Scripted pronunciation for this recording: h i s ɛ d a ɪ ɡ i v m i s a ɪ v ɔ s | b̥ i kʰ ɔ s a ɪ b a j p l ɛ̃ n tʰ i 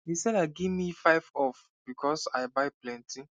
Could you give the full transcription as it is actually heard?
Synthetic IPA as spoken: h i s ɛ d a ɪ ɡ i v m i f a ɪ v ɔ f | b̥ i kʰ ɔ s a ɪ b a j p l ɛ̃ n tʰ i